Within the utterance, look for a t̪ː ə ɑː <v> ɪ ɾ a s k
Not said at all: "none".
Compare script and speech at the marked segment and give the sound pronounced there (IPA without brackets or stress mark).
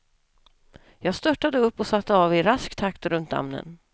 v